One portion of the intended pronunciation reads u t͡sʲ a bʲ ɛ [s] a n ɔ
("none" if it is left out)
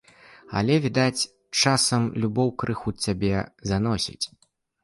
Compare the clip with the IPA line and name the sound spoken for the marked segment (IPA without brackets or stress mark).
z